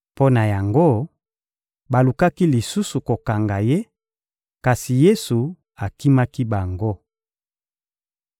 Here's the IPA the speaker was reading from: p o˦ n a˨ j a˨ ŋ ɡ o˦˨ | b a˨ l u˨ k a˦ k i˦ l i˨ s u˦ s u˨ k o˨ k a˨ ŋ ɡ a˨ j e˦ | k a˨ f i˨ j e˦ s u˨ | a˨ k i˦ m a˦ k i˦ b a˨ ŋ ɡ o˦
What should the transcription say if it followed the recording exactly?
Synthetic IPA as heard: p o˦ n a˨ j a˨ ŋ ɡ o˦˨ | b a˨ l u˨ k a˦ k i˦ l i˨ s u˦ s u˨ k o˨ k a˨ ŋ ɡ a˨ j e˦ | k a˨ s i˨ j e˦ s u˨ | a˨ k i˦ m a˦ k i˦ b a˨ ŋ ɡ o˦

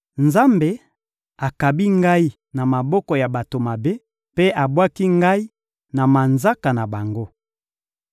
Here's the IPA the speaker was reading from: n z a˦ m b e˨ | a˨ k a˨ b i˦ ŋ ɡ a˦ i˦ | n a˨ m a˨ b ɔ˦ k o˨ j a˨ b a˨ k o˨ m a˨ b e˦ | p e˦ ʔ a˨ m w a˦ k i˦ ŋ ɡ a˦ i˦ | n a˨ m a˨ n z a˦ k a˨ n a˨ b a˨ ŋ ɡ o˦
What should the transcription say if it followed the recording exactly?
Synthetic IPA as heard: n z a˦ m b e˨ | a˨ k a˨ b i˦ ŋ ɡ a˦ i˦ | n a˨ m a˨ b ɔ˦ k ɔ˨ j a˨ b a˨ t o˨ m a˨ b e˦ | p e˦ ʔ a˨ b w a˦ k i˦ ŋ ɡ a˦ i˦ | n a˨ m a˨ n z a˦ k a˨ n a˨ b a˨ ŋ ɡ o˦

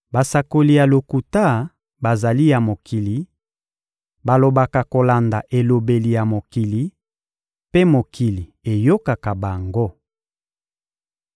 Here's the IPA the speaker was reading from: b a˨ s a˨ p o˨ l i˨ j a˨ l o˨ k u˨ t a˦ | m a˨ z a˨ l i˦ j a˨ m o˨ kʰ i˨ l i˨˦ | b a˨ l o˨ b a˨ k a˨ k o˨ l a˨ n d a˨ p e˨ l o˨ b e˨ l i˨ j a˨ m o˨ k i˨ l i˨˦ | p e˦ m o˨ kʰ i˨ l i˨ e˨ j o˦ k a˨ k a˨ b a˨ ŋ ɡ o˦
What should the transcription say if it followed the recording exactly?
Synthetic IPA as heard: b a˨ s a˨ k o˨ l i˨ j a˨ l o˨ k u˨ t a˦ | b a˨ z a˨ l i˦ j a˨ m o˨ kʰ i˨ l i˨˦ | b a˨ l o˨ b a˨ k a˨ k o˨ l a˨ n d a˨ ʔ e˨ l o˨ b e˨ l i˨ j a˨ m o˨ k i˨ l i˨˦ | p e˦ m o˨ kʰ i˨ l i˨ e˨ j o˦ k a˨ k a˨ b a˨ ŋ ɡ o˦

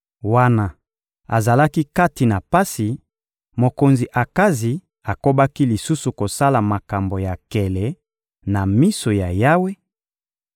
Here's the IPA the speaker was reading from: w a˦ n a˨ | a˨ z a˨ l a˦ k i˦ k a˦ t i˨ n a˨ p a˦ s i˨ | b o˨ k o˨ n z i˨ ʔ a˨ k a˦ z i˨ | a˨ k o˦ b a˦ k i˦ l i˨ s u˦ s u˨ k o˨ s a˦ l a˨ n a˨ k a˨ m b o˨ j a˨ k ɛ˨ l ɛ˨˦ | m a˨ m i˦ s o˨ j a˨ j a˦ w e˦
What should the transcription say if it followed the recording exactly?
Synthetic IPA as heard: w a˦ n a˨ | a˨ z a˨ l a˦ k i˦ k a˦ t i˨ n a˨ p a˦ s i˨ | m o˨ k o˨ n z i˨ ʔ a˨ k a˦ z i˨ | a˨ k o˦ b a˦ k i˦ l i˨ s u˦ s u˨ k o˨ s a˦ l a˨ m a˨ k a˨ m b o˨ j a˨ k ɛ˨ l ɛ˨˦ | n a˨ m i˦ s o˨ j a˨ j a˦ w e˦

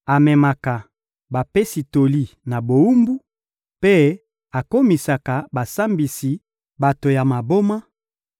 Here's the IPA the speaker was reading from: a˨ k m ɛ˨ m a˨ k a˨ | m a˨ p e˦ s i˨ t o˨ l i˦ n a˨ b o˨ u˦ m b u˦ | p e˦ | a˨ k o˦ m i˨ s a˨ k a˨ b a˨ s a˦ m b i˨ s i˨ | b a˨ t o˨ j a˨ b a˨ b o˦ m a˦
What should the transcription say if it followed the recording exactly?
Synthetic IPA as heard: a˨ m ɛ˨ m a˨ k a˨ | b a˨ p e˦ s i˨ t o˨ l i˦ n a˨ b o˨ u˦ m b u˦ | p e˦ | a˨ k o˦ m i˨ s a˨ k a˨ b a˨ s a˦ m b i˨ s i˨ | b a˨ t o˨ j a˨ m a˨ b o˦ m a˦

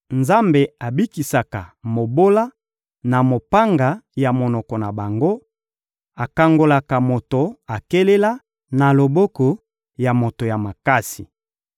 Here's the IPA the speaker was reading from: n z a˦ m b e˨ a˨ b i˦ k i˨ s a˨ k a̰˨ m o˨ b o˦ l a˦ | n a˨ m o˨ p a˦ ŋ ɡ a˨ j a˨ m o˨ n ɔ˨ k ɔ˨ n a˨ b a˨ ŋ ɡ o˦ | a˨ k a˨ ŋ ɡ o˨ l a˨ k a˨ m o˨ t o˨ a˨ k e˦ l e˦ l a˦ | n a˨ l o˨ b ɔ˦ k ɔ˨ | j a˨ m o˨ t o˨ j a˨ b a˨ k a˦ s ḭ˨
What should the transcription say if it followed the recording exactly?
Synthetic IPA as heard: n z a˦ m b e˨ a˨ b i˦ k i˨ s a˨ k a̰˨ m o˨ b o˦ l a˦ | n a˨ m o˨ p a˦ ŋ ɡ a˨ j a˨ m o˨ n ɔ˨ k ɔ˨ n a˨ b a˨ ŋ ɡ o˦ | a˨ k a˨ ŋ ɡ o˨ l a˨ k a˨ m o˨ t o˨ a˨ k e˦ l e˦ l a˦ | n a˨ l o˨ b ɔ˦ k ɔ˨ | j a˨ m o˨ t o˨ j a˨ m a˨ k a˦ s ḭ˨

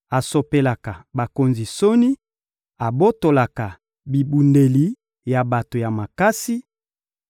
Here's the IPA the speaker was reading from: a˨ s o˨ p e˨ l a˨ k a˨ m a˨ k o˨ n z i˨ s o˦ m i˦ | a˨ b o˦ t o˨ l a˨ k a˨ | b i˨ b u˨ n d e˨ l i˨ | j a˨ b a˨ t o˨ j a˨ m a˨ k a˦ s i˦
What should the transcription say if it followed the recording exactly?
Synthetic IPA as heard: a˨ s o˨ p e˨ l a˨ k a˨ b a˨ k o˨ n z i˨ s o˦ n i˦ | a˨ b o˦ t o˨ l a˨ k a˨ | b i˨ b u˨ n d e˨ l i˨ | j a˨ b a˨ t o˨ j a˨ m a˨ k a˦ s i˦

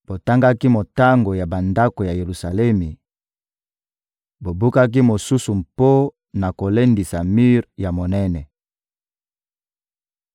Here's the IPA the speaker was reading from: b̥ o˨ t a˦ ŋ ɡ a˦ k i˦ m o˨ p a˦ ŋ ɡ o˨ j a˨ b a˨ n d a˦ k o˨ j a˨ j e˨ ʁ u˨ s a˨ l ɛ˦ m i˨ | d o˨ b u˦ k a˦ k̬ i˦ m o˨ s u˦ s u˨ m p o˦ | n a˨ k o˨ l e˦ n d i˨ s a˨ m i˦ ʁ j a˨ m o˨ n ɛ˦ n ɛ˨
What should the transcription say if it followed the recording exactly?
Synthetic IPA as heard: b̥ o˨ t a˦ ŋ ɡ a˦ k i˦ m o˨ t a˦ ŋ ɡ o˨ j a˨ b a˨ n d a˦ k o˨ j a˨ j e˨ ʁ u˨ s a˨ l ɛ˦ m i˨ | b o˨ b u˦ k a˦ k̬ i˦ m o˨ s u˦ s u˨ m p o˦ | n a˨ k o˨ l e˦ n d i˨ s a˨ m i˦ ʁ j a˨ m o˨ n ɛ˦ n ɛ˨

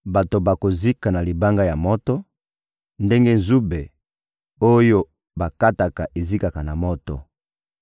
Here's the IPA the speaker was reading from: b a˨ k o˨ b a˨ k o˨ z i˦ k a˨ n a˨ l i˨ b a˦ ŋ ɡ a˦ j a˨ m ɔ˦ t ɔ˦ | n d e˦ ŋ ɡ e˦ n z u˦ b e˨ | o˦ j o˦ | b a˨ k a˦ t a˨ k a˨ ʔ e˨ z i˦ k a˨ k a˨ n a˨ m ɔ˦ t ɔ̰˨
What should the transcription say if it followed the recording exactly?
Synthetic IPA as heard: b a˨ t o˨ b a˨ k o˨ z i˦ k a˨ n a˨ l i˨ b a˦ ŋ ɡ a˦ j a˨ m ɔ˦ t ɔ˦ | n d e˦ ŋ ɡ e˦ n z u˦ b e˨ | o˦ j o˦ | b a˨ k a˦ t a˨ k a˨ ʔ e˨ z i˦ k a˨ k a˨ n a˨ m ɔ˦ t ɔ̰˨

